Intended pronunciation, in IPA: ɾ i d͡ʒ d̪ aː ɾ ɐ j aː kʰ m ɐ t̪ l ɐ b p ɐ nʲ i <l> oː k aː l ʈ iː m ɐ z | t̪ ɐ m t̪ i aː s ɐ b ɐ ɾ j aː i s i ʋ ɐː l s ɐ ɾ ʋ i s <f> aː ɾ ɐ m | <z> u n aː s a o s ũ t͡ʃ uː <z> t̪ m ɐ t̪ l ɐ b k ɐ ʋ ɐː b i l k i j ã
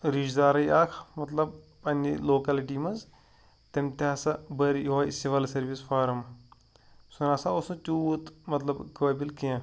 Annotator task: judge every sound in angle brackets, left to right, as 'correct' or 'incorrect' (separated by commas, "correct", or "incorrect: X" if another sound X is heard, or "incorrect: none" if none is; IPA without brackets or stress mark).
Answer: correct, correct, incorrect: s, incorrect: none